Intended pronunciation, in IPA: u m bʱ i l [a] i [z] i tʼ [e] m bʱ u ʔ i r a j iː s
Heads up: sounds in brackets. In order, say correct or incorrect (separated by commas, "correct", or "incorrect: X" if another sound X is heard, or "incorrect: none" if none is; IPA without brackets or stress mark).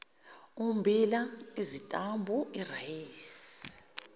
correct, correct, incorrect: a